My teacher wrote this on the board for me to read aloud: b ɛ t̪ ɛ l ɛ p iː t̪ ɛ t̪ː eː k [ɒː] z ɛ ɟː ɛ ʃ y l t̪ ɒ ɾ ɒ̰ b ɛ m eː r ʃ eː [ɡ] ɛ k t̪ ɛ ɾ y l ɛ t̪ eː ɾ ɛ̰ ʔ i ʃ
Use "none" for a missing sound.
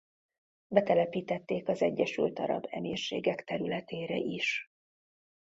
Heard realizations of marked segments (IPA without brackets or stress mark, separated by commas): ɒ, ɡ